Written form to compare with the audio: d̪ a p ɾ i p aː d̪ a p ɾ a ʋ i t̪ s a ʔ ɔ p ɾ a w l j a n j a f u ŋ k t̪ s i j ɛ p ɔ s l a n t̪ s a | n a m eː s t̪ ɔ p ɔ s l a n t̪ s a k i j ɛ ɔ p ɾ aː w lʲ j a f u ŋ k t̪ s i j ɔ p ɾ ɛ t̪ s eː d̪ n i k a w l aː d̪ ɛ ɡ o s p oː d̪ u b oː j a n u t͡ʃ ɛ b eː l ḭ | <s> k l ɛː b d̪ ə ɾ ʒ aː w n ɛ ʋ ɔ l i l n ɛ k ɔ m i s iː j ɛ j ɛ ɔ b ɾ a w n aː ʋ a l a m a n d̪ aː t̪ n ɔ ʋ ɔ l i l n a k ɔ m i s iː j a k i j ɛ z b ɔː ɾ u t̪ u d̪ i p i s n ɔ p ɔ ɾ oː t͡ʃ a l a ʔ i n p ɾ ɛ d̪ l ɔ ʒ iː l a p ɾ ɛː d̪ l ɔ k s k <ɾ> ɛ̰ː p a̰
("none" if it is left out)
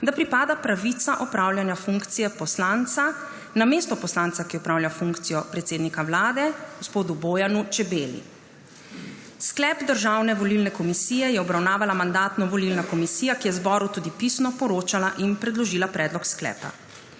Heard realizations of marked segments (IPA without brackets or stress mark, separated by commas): s, l